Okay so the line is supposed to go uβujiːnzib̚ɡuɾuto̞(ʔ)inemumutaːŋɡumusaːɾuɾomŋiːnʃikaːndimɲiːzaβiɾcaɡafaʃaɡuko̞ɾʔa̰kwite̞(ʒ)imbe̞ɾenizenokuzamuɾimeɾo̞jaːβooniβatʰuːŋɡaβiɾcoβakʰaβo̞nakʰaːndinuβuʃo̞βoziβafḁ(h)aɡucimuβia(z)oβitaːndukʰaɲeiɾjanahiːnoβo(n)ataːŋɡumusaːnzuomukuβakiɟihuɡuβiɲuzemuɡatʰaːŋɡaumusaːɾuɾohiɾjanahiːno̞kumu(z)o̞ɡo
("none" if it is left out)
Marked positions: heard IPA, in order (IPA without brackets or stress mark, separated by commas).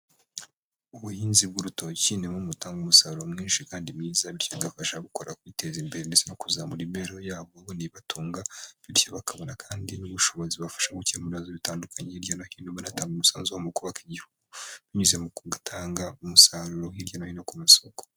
c, z, ʃ, z, n, s